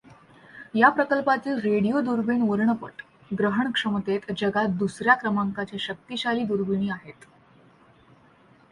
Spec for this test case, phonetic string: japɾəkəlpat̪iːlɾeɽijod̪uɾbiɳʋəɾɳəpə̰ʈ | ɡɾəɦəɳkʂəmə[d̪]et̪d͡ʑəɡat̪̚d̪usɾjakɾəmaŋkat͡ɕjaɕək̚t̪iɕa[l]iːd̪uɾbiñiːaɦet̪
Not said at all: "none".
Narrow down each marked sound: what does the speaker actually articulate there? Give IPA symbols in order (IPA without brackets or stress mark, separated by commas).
t̪, l